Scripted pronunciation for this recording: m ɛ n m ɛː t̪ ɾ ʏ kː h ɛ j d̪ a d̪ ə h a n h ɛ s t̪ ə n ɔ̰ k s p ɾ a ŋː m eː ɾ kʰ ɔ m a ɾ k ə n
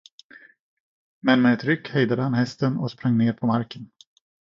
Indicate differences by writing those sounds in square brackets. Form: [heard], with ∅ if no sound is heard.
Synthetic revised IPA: m ɛ n m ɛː t̪ ɾ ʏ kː h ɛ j d̪ a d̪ ə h a n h ɛ s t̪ ə n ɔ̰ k s p ɾ a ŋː [n] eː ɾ [pʰ] ɔ m a ɾ k ə n